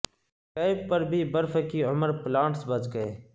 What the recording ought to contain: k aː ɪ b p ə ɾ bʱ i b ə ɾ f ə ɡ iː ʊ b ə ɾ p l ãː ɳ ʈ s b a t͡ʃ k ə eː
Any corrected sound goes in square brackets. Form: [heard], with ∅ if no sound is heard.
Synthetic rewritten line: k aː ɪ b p ə ɾ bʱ [iː] b ə ɾ f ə [k] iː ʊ [m] ə ɾ p l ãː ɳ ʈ s b [ə] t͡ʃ [ɡ] ə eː